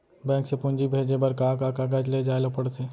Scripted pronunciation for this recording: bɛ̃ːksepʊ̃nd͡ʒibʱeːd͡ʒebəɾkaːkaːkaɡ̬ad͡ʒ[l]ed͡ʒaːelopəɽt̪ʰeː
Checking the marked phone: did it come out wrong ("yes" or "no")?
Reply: no